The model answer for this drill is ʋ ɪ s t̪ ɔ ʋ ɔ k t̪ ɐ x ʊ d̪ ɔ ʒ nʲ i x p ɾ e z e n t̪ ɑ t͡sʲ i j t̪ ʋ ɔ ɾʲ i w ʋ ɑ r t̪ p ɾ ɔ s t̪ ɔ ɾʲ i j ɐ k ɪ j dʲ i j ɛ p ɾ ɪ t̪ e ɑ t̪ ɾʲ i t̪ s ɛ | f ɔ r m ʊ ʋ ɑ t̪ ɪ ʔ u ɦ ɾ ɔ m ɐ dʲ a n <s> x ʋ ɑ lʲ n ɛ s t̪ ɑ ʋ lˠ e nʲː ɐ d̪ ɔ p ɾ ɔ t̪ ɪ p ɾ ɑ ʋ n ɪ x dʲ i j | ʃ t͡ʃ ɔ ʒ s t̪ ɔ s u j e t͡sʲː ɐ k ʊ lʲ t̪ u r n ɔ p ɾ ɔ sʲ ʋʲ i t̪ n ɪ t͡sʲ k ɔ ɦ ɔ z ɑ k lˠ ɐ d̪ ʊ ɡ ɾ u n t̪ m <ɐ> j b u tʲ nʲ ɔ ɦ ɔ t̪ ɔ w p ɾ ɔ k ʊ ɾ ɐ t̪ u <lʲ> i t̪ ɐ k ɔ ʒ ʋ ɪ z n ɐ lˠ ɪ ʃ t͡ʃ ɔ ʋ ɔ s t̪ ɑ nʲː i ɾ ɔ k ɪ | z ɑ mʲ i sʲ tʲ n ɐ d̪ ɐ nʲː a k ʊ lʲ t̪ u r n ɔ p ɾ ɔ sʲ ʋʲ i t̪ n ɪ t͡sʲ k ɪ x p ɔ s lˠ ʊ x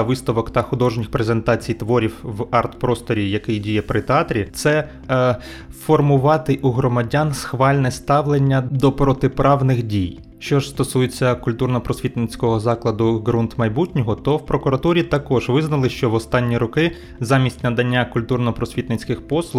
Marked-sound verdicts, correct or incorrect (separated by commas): correct, correct, incorrect